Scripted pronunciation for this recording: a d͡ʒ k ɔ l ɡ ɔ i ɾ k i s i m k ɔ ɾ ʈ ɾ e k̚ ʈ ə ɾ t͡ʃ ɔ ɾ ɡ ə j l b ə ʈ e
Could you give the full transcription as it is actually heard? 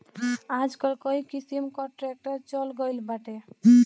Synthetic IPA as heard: a d͡ʒ k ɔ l k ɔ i k i s i m k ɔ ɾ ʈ ɾ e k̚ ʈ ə ɾ t͡ʃ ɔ l ɡ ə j l b a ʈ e